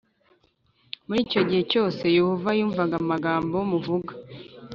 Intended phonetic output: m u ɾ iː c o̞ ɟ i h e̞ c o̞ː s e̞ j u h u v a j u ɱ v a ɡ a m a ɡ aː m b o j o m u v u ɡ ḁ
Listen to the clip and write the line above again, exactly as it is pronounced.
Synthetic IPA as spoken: m u ɾ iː c o̞ ɟ i h e̞ c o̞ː s e̞ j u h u v a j uː ɱ v a ɡ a m a ɡ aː m b o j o m u v u ɡ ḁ